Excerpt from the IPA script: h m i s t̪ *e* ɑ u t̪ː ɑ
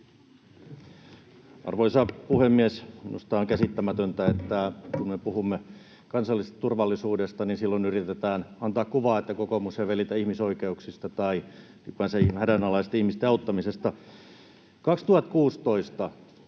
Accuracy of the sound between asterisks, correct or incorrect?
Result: correct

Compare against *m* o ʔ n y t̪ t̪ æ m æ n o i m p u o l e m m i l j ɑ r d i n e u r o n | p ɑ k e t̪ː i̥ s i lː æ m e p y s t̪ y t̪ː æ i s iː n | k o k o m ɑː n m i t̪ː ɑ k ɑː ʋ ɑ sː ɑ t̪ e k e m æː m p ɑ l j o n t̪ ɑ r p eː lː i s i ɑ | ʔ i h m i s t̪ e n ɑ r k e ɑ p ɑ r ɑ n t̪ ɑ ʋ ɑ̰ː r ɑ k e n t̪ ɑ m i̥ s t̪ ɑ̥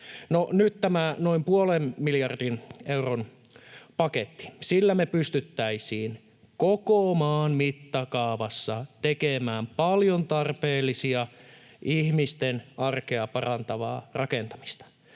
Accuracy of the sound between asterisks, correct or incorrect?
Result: incorrect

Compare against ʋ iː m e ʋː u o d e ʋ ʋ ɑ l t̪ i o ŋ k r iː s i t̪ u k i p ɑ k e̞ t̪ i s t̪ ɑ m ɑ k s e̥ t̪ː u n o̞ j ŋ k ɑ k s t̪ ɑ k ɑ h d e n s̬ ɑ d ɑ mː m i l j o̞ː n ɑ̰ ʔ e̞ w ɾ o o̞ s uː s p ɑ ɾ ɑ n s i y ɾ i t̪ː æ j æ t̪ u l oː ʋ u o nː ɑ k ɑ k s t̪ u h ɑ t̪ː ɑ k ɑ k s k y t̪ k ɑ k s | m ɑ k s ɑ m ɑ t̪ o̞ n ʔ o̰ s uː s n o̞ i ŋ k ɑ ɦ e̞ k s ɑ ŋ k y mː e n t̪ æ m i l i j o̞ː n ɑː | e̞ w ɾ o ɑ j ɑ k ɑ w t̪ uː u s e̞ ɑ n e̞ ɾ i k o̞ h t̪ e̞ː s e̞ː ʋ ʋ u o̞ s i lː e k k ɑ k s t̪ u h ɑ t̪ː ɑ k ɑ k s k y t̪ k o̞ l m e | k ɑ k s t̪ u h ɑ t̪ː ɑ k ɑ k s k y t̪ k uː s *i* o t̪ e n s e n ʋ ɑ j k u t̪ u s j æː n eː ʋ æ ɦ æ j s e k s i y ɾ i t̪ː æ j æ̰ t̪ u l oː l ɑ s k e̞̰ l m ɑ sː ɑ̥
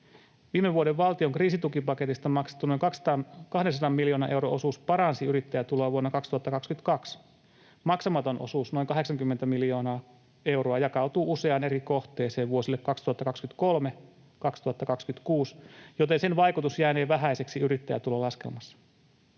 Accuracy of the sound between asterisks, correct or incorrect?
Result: incorrect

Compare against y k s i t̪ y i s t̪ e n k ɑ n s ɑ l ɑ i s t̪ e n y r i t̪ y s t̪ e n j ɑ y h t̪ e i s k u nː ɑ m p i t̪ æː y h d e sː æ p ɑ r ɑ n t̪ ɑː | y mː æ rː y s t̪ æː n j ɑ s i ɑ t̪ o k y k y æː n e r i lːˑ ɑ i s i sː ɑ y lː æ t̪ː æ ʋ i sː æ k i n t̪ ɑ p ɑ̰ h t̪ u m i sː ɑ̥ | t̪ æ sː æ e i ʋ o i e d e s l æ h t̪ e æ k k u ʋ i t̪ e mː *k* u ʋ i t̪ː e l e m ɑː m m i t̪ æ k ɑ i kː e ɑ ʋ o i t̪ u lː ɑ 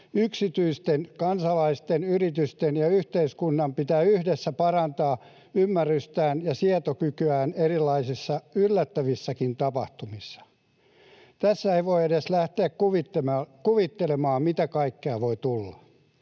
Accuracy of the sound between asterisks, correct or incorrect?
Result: correct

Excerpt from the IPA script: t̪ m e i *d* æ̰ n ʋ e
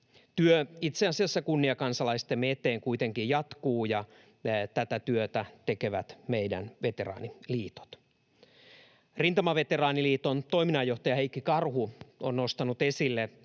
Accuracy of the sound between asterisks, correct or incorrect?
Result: correct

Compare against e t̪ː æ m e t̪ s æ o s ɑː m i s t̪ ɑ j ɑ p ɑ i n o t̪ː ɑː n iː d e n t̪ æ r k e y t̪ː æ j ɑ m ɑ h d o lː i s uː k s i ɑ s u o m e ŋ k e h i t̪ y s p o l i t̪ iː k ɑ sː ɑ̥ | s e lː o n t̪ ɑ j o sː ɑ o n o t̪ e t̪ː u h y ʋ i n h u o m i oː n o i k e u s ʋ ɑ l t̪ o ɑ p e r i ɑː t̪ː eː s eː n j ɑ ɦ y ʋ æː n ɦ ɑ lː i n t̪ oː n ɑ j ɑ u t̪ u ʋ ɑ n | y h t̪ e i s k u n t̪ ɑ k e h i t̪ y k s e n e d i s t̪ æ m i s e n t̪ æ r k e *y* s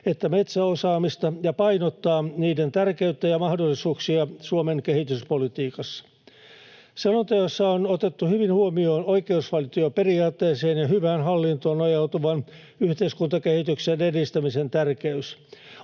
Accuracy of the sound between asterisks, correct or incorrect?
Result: correct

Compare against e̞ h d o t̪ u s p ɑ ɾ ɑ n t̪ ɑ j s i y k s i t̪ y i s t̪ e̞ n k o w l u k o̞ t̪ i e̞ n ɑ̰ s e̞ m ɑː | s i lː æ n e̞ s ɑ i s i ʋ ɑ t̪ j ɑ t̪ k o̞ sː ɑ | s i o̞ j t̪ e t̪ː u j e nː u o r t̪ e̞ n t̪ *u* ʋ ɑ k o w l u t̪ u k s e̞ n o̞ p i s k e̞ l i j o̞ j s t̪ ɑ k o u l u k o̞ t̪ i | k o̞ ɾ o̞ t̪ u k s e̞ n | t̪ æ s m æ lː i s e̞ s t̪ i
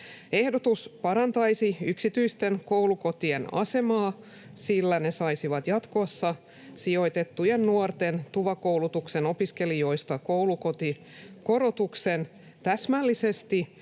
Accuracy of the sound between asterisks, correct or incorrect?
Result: correct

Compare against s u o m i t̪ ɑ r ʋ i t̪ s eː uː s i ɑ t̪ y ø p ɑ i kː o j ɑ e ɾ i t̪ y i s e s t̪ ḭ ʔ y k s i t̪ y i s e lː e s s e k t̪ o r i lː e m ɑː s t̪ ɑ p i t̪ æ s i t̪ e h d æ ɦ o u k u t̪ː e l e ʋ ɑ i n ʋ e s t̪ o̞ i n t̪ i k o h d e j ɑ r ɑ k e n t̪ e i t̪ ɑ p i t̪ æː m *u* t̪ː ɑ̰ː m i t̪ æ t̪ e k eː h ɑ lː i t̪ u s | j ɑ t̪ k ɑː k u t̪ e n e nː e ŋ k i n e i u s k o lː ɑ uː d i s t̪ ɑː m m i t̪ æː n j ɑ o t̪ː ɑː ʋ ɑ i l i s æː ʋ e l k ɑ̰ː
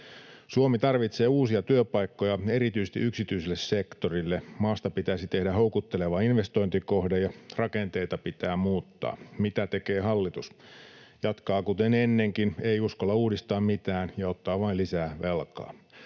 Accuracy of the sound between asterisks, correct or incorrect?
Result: incorrect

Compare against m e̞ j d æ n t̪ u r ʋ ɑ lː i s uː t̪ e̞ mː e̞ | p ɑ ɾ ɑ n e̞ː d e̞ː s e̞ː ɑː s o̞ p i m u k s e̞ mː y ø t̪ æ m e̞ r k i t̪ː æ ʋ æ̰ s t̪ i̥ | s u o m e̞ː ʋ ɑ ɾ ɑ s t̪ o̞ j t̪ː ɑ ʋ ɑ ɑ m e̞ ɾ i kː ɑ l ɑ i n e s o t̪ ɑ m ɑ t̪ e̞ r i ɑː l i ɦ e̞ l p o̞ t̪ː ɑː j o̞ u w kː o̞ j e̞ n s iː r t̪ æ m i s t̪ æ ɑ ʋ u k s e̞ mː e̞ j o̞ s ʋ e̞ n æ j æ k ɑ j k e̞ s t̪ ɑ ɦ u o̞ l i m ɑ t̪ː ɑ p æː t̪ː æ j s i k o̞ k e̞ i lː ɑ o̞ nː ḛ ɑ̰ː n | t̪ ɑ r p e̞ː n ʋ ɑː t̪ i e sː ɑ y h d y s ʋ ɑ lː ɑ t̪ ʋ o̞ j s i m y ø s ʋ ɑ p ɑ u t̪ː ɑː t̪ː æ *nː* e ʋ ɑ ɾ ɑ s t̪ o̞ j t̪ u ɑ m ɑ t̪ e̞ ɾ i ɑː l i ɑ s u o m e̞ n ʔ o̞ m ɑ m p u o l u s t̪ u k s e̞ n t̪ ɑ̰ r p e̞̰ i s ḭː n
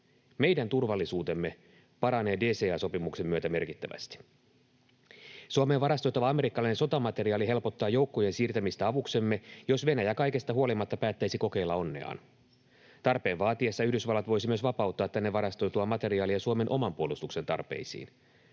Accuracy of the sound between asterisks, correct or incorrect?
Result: correct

